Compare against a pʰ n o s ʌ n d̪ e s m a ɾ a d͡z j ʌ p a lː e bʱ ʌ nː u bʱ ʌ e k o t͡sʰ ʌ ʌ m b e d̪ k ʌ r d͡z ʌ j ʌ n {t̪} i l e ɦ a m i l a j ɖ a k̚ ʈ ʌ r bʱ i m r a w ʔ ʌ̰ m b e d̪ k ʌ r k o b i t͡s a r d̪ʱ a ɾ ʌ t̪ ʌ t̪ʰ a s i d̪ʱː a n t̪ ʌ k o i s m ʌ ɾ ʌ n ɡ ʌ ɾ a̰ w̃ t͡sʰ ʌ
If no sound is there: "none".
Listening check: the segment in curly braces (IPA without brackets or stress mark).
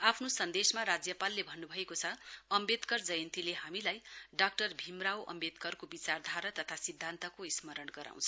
t̪